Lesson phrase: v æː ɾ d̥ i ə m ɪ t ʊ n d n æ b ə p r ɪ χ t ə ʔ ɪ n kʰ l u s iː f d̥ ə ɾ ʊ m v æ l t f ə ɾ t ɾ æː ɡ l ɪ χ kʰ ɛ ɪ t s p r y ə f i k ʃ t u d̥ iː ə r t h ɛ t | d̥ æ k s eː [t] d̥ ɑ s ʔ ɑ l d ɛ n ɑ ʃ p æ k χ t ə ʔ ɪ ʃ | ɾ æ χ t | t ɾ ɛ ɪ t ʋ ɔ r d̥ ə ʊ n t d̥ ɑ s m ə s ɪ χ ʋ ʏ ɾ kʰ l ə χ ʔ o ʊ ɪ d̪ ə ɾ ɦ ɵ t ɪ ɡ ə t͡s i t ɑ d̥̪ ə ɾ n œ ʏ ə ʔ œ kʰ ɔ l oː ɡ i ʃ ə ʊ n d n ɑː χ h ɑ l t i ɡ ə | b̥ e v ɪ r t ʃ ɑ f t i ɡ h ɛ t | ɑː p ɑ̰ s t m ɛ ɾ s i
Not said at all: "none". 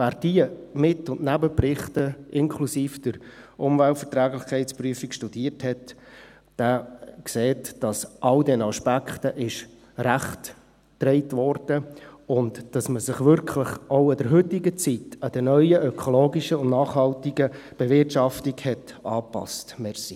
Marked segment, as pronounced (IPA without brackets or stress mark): t